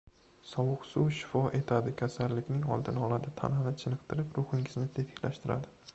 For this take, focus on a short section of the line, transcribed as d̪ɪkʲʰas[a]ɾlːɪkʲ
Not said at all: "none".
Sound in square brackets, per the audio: a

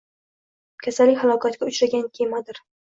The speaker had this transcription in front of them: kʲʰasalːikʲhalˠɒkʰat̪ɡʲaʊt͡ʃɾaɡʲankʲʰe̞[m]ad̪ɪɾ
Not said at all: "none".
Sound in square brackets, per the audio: m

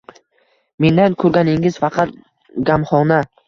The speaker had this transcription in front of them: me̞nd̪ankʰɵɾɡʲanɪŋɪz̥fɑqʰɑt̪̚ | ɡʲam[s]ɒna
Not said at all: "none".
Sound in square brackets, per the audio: χ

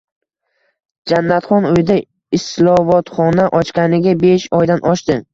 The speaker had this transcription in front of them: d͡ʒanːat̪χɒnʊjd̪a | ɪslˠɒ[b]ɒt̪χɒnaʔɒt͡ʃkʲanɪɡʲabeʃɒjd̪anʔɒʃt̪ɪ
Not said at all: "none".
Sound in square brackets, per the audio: v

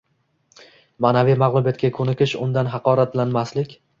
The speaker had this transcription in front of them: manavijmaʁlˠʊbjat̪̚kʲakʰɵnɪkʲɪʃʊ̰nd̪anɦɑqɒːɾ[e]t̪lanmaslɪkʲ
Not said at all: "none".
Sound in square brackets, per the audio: a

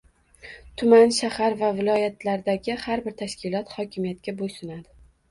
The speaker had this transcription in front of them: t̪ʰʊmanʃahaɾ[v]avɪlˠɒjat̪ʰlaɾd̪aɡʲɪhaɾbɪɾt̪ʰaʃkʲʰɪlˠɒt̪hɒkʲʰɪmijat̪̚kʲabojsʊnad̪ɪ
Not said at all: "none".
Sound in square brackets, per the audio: v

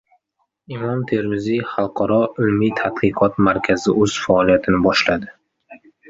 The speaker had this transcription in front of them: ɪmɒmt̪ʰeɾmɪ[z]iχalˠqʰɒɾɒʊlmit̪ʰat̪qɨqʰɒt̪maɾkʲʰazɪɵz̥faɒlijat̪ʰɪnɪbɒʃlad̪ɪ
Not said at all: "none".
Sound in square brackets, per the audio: z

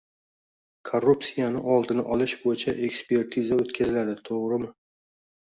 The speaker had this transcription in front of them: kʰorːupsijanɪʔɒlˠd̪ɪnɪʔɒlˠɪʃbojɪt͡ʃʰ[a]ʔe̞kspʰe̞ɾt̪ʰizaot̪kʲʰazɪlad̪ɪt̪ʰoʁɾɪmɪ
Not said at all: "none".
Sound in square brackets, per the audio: a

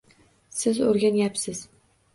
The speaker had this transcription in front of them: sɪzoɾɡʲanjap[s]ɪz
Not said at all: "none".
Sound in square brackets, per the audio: s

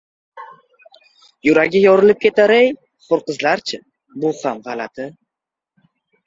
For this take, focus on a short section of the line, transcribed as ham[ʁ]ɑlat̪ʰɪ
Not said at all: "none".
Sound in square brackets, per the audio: ʁ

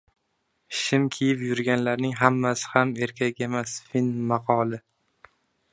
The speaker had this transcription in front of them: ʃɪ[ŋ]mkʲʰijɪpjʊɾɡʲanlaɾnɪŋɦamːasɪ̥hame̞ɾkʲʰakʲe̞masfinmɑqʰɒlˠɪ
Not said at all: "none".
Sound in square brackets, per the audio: none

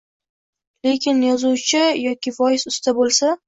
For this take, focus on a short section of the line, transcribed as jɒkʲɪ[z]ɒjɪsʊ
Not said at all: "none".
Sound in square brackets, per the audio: v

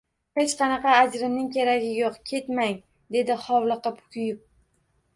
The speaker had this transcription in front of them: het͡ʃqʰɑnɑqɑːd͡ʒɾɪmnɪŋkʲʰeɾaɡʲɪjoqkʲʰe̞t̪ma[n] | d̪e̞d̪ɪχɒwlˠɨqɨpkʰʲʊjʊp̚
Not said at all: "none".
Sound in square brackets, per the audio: ŋ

